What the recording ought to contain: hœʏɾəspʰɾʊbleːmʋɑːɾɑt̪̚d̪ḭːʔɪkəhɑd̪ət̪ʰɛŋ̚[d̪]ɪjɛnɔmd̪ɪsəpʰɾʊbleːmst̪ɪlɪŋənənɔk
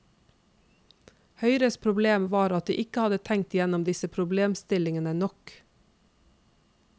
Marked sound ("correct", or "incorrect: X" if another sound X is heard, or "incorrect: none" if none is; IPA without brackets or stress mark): incorrect: t̪